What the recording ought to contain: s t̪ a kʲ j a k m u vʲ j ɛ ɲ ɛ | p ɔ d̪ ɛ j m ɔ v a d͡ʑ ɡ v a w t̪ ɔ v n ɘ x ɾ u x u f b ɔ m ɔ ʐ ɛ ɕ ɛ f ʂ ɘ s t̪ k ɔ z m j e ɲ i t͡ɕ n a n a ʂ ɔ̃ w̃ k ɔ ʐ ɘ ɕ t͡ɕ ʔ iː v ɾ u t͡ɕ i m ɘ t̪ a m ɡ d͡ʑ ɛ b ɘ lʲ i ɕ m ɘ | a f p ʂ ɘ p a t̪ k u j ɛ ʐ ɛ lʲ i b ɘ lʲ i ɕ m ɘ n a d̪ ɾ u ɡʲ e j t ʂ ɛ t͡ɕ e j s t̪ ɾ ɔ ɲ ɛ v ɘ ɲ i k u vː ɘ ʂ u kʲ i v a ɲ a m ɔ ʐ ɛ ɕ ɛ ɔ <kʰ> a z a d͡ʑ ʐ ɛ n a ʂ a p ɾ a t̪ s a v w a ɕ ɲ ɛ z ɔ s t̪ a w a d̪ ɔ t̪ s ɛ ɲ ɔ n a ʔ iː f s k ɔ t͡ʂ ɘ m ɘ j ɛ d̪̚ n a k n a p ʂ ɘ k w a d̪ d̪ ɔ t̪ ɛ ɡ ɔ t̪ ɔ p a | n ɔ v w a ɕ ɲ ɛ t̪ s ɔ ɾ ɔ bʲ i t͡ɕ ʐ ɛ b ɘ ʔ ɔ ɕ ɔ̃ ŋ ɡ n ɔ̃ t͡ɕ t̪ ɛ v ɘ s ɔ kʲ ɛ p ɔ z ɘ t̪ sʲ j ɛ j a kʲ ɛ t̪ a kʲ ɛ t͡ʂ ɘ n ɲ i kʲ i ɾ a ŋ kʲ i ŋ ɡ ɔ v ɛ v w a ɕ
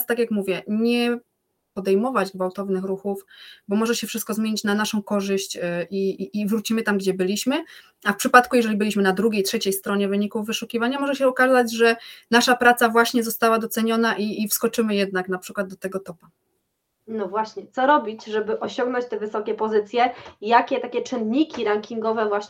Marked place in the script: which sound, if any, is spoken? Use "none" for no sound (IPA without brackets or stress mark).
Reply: k